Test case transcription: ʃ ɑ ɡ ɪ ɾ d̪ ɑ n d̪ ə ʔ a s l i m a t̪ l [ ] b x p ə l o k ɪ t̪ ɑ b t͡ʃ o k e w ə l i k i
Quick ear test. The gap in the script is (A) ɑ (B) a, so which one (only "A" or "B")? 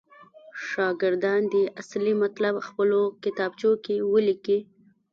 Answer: B